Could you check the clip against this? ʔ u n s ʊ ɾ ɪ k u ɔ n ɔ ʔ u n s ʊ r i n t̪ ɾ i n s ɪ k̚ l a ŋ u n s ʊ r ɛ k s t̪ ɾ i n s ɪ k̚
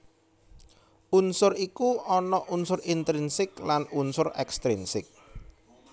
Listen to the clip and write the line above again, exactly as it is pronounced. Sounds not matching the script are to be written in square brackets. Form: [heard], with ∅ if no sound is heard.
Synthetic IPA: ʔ u n s ʊ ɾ [i] k u ɔ n ɔ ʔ u n s ʊ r i n t̪ ɾ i n s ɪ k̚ l a [n] u n s ʊ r ɛ k s t̪ ɾ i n s ɪ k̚